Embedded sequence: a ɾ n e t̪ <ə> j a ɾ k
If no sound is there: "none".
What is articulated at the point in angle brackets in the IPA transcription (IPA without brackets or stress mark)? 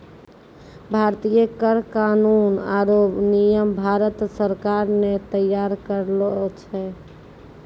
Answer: ə